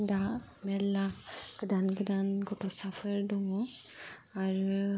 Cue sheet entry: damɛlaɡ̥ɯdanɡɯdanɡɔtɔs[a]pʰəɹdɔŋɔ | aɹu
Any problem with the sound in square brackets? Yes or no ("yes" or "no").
no